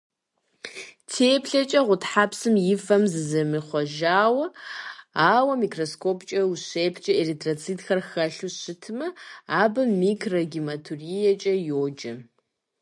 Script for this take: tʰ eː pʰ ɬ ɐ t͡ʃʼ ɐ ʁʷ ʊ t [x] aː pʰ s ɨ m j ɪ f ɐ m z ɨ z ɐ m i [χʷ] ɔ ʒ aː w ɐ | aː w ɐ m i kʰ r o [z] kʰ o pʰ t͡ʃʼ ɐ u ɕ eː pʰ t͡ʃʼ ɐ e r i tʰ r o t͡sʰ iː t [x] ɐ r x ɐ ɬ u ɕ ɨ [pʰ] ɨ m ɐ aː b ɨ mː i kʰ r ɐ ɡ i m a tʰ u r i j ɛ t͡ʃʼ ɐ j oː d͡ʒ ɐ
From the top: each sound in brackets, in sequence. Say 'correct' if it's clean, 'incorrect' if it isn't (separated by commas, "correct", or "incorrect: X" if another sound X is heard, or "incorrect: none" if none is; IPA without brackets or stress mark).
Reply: incorrect: ħ, correct, incorrect: s, correct, incorrect: tʰ